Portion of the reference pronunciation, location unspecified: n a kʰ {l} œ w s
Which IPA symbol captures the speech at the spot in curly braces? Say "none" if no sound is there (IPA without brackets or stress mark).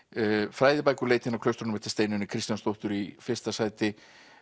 l